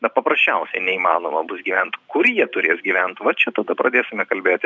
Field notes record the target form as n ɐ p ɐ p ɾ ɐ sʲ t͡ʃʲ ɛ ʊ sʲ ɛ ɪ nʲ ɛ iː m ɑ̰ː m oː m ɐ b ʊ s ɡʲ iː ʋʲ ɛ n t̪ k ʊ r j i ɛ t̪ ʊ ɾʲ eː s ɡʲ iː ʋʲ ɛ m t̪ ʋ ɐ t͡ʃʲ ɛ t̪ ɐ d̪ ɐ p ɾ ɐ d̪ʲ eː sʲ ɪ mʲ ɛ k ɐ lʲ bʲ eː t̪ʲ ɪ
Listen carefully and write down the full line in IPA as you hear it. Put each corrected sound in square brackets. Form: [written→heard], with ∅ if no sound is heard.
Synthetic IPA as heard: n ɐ p ɐ p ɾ ɐ sʲ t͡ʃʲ ɛ ʊ sʲ ɛ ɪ nʲ ɛ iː m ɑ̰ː [m→n] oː m ɐ b ʊ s ɡʲ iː ʋʲ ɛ n t̪ k ʊ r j i ɛ t̪ ʊ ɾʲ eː s ɡʲ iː ʋʲ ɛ [m→n] t̪ ʋ ɐ t͡ʃʲ ɛ t̪ ɐ d̪ ɐ p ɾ ɐ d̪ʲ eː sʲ ɪ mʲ ɛ k ɐ lʲ bʲ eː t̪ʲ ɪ